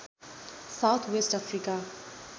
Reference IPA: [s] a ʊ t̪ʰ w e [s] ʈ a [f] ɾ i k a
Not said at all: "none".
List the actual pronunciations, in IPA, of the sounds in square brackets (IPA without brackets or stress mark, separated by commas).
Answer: s, s, f